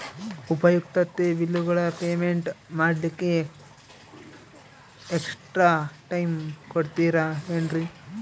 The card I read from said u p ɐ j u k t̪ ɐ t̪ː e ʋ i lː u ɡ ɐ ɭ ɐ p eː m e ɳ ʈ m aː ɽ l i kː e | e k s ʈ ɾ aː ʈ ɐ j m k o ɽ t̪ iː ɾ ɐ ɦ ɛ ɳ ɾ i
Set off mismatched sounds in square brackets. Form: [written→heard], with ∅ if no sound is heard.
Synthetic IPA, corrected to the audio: u p ɐ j u k t̪ ɐ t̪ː e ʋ i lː u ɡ ɐ ɭ ɐ p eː m e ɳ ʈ m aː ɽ l i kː e | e k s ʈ ɾ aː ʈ ɐ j m k o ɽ t̪ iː ɾ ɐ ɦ [ɛ→e] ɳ ɾ i